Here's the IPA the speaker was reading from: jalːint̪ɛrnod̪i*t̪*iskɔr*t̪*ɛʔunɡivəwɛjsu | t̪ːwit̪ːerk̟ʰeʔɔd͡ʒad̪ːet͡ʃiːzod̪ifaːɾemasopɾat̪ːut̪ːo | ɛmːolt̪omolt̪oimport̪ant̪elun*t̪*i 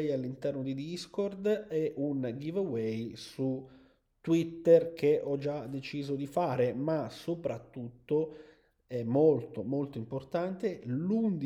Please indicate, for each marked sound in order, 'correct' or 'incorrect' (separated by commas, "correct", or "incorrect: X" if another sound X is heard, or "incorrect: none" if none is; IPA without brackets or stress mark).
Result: incorrect: d̪, incorrect: d̪, incorrect: d̪